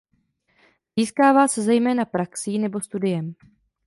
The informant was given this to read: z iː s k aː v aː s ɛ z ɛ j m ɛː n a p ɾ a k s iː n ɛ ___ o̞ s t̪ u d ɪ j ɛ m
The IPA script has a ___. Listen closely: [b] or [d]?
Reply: b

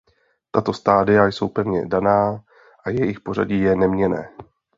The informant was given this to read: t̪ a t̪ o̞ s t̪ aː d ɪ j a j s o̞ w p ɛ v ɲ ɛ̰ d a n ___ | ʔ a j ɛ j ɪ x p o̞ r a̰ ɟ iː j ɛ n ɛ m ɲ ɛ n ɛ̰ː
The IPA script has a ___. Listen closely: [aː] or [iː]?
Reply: aː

